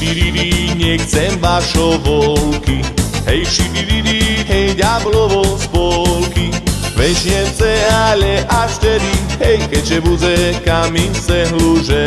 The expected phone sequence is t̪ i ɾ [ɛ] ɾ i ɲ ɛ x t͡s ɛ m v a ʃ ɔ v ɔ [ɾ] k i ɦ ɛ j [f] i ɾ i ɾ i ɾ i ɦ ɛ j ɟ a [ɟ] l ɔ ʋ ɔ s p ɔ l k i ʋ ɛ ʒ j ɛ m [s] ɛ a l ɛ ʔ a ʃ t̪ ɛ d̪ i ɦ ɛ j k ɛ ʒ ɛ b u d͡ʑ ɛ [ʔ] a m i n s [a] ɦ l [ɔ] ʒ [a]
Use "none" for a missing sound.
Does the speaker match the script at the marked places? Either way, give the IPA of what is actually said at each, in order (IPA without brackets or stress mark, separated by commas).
i, l, ʃ, b, s, k, ɛ, u, ɛ